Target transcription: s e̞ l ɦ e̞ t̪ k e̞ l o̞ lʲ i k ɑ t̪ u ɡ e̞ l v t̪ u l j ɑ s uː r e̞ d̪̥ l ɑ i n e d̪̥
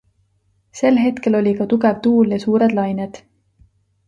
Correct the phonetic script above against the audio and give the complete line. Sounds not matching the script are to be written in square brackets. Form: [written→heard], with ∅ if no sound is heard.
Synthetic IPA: s e̞ l ɦ e̞ t̪ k e̞ l o̞ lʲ i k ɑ t̪ u ɡ e̞ [l→∅] v t̪ [u→uː] l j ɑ s uː [r→ɾ] e̞ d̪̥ l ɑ [i→j] n e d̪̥